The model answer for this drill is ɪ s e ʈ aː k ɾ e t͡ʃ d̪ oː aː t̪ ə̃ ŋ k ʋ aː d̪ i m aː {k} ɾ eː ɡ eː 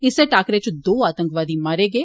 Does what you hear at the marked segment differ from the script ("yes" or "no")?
yes